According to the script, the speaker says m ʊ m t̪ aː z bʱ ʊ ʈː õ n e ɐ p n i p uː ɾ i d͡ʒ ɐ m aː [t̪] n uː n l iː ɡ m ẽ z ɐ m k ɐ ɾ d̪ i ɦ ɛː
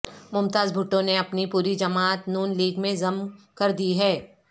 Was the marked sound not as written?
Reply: no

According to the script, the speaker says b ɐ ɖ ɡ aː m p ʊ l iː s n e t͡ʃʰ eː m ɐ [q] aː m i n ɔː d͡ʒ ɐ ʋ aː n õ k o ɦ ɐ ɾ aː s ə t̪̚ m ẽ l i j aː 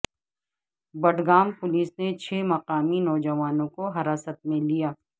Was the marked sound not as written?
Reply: no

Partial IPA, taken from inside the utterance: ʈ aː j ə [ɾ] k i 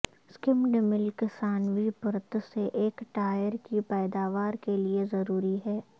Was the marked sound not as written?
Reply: no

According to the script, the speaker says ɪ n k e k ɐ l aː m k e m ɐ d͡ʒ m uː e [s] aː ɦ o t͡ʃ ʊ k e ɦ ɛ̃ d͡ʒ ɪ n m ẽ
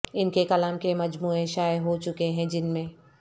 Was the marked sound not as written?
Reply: yes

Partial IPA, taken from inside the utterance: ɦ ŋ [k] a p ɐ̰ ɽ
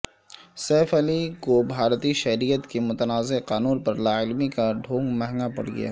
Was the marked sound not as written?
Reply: yes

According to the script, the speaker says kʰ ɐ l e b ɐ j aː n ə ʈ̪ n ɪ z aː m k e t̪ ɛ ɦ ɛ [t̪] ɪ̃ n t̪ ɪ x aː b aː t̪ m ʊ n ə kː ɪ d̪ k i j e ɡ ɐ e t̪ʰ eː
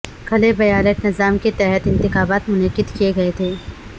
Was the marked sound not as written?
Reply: no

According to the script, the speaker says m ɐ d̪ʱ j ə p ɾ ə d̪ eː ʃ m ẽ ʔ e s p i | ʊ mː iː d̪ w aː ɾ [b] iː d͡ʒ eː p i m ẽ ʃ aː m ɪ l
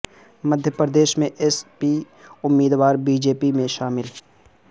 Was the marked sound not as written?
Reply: no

